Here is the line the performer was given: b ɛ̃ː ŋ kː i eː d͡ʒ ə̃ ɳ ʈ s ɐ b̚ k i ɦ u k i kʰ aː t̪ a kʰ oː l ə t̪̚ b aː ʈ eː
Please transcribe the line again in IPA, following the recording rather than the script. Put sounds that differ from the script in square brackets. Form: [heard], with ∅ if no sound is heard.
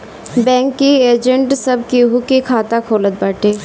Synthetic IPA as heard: b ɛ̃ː ŋ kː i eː d͡ʒ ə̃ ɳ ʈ s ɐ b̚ k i ɦ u k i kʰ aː t̪ a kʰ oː l ə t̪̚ b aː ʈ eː